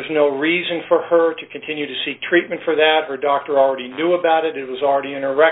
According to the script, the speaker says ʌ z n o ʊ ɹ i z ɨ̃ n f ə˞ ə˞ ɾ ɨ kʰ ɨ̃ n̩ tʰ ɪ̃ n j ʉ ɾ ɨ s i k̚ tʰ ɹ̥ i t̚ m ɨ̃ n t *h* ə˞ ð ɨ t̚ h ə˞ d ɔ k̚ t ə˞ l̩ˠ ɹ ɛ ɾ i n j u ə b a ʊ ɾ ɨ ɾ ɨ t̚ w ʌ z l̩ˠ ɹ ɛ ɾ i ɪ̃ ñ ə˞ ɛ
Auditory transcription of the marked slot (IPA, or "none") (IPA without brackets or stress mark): f